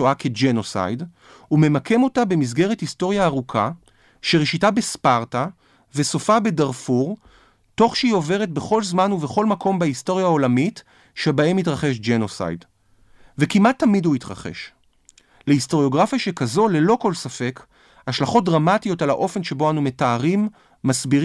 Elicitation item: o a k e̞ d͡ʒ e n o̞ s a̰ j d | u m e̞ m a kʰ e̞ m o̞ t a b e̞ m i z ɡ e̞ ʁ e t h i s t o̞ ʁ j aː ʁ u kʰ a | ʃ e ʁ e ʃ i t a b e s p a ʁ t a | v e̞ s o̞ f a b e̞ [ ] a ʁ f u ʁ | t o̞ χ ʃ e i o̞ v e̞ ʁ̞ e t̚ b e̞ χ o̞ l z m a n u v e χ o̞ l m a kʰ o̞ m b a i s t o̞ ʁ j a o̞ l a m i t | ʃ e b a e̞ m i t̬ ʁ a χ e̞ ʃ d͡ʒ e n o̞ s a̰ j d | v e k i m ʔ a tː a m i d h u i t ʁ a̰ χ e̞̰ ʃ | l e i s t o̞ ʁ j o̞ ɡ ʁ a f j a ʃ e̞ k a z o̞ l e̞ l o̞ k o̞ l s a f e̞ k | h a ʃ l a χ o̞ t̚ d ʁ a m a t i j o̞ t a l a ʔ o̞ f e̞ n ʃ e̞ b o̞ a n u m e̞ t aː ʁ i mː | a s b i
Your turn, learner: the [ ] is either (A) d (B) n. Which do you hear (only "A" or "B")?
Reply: A